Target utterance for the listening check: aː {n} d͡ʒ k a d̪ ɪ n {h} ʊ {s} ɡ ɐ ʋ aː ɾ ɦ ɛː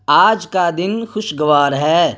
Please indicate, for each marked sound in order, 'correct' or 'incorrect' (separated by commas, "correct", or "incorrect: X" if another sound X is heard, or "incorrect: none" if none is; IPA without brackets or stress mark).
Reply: incorrect: none, incorrect: x, incorrect: ʃ